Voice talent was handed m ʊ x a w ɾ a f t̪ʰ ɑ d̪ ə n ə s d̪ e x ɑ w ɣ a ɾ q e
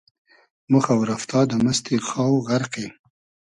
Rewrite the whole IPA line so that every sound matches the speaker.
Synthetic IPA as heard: m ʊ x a w ɾ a f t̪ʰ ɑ d̪ ə m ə s t̪ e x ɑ w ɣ a ɾ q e